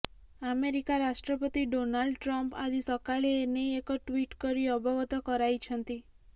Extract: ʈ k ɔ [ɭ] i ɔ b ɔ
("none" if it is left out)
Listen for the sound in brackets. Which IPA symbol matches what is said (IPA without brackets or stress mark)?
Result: ɾ